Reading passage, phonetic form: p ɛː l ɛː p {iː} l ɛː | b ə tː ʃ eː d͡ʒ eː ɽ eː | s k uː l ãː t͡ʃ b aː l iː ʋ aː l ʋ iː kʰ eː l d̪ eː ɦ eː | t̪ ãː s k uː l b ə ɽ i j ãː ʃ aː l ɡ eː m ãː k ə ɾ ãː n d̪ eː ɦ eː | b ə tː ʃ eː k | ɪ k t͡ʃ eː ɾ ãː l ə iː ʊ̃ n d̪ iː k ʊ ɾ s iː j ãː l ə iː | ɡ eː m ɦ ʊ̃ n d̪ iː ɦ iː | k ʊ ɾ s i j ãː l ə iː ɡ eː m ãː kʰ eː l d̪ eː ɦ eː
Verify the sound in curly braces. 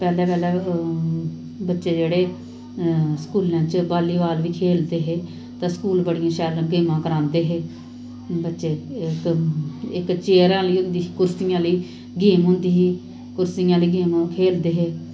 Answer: incorrect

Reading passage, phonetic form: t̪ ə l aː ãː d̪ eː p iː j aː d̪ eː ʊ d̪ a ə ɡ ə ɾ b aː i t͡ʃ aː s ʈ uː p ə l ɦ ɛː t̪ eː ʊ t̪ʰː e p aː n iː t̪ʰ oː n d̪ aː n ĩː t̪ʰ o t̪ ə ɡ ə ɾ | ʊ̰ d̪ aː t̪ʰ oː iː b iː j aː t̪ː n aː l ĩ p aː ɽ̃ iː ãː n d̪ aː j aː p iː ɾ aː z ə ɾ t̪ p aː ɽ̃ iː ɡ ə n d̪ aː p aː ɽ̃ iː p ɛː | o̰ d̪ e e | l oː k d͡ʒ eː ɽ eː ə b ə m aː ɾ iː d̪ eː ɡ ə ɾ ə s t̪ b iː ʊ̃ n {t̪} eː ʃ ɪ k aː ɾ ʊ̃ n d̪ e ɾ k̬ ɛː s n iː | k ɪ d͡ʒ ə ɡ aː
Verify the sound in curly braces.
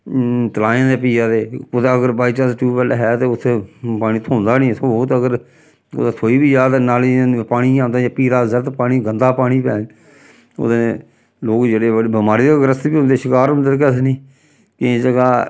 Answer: incorrect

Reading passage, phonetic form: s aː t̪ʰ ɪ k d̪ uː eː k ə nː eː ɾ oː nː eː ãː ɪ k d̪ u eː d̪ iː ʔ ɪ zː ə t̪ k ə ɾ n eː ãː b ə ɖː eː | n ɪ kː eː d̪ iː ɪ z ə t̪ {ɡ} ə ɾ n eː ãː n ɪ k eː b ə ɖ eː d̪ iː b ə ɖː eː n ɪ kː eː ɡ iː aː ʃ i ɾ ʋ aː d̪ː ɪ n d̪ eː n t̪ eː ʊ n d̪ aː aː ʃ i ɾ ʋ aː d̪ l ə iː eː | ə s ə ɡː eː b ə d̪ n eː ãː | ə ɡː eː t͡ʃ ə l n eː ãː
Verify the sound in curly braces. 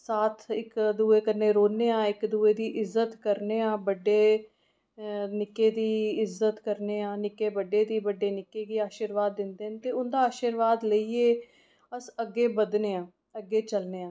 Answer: incorrect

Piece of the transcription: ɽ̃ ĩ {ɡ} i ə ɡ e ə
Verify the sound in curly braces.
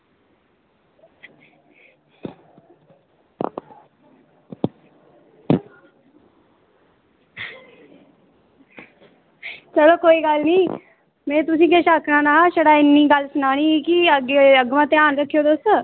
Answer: incorrect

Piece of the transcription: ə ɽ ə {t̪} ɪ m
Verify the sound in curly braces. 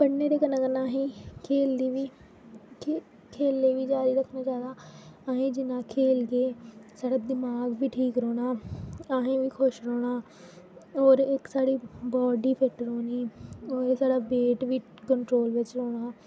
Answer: incorrect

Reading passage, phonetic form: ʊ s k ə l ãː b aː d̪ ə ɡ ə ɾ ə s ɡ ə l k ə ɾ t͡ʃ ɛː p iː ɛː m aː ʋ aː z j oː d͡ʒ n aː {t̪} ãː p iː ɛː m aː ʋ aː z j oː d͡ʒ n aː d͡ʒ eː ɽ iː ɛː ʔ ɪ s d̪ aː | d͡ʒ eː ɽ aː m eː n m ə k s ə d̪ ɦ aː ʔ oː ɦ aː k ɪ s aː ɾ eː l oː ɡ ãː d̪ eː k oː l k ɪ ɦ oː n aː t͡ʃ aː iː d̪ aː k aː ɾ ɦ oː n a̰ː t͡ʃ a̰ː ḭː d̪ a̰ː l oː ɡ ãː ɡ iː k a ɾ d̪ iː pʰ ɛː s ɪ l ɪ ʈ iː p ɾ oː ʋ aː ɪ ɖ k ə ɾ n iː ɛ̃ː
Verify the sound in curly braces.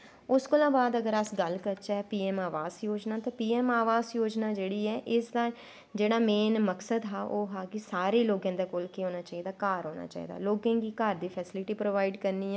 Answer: correct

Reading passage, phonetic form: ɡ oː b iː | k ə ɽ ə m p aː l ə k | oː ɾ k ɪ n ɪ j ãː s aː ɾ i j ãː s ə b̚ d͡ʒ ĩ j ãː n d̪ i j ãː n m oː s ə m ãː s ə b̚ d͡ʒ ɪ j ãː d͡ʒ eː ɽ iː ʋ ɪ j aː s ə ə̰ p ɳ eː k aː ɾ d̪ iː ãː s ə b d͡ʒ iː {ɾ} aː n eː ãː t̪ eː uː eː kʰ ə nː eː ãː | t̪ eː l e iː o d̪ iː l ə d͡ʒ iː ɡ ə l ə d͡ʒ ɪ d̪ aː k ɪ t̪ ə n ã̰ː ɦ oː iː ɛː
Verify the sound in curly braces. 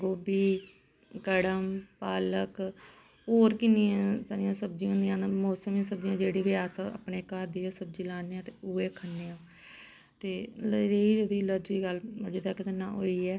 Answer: incorrect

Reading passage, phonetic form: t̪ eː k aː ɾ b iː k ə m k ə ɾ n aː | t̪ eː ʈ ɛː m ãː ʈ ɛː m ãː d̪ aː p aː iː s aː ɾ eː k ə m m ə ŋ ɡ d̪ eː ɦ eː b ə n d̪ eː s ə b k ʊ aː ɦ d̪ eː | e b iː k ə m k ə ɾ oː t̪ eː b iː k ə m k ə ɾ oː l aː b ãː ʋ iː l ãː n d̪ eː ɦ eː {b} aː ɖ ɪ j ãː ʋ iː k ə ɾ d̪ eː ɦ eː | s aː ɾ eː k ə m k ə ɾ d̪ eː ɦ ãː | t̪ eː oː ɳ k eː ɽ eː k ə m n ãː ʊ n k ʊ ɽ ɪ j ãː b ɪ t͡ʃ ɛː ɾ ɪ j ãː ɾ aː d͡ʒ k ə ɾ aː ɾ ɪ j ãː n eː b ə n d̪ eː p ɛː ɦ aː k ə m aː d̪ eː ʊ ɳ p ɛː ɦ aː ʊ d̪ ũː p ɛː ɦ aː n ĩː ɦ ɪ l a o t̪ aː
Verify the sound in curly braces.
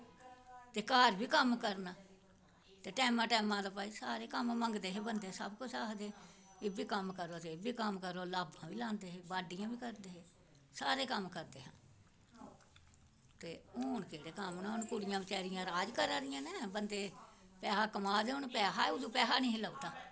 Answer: correct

